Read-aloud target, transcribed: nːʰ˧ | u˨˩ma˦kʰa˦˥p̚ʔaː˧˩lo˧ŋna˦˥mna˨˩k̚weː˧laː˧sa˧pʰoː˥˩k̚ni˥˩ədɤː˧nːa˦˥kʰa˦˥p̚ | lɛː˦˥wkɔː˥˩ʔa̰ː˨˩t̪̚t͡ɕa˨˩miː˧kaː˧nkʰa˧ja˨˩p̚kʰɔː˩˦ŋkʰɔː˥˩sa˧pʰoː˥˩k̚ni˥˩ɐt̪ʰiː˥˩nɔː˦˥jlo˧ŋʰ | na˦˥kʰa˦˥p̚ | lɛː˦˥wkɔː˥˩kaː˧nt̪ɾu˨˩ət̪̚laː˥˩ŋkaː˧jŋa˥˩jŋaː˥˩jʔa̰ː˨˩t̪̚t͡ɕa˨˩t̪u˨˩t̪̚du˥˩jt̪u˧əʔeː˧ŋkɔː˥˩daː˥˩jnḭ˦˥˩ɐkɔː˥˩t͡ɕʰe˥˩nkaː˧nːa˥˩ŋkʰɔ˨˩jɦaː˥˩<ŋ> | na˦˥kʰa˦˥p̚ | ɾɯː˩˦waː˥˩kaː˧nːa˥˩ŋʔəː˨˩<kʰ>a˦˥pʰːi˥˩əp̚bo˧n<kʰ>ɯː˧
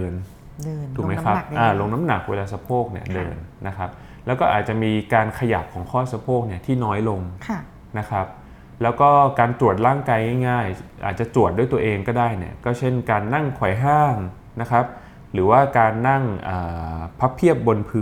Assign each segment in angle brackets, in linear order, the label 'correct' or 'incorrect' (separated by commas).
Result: correct, incorrect, incorrect